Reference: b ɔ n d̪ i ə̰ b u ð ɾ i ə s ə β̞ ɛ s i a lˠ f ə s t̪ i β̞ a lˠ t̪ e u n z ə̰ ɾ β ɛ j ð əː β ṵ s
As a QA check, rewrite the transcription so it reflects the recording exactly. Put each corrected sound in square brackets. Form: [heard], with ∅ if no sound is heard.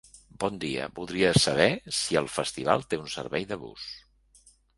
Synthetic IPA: b ɔ n d̪ i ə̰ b u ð ɾ i ə s ə β̞ ɛ s i [ə] lˠ f ə s t̪ i β̞ a lˠ t̪ e u n [s] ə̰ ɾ β ɛ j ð [ə] β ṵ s